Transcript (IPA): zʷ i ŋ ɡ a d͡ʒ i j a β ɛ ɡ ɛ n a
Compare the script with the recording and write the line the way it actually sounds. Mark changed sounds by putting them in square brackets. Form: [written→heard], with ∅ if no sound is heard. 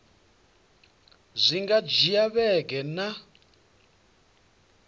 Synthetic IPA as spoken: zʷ i ŋ ɡ a d͡ʒ i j a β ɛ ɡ ɛ n a